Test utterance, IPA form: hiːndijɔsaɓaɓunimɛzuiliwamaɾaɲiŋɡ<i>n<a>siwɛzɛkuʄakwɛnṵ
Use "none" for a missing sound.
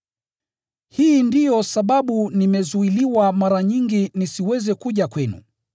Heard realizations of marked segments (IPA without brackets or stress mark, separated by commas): i, i